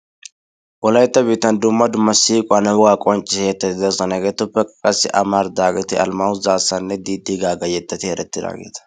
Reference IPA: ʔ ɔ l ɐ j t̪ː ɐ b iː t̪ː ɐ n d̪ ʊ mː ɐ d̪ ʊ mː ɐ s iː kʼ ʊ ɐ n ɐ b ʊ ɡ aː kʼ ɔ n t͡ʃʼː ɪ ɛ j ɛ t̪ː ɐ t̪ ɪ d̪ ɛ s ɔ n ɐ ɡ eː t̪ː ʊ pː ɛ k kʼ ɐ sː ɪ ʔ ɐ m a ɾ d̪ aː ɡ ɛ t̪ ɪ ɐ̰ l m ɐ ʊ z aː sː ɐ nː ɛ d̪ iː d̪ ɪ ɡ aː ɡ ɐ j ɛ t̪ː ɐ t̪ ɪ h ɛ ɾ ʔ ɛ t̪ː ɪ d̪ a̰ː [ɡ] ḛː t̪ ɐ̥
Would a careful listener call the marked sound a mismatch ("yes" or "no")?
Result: no